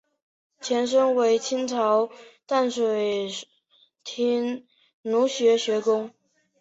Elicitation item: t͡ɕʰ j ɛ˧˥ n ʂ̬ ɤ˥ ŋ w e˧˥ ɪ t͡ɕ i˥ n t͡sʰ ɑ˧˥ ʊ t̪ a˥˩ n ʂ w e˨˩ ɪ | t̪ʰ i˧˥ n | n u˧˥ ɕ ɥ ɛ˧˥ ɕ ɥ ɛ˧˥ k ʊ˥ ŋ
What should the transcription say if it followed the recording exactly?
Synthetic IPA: t͡ɕʰ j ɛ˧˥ n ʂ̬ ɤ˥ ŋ w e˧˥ ɪ t͡ɕʰ i˥ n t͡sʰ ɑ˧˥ ʊ t̪ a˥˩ n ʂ w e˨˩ ɪ | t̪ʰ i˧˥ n | n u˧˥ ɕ ɥ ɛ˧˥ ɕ ɥ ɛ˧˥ k ʊ˥ ŋ